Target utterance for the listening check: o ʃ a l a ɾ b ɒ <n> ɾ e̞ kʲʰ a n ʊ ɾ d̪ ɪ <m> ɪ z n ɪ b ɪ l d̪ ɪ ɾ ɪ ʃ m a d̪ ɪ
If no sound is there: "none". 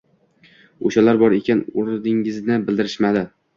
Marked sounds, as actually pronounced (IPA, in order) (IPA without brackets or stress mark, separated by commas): none, ŋ